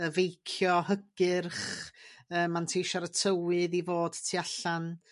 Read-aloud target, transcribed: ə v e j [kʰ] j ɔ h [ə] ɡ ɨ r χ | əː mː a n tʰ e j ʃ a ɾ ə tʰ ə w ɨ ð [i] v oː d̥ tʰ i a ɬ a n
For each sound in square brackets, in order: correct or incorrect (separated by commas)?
correct, correct, correct